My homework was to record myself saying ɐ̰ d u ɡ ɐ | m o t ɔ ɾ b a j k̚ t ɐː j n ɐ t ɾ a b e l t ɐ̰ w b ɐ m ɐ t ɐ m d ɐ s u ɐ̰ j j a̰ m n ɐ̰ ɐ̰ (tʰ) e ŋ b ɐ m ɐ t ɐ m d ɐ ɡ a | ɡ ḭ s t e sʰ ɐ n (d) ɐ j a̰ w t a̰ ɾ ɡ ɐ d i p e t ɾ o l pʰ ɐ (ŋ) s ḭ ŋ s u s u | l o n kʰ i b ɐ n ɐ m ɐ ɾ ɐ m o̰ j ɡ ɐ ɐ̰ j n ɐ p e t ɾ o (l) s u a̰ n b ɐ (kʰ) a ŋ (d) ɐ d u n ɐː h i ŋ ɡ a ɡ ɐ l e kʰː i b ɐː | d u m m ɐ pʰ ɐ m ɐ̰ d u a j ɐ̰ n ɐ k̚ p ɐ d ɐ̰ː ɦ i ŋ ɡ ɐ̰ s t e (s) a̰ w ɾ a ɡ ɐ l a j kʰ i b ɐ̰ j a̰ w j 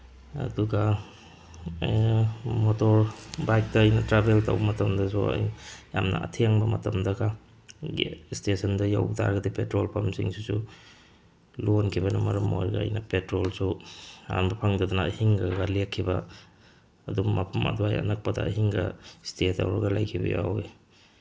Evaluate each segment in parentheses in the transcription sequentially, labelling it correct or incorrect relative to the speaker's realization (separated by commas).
correct, correct, incorrect, correct, incorrect, correct, incorrect